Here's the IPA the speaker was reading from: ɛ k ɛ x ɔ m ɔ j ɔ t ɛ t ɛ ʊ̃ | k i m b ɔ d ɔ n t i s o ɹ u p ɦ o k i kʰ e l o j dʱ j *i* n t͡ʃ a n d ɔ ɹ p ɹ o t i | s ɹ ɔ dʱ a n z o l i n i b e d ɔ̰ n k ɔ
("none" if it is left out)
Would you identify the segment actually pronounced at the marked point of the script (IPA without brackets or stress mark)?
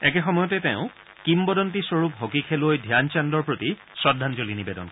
a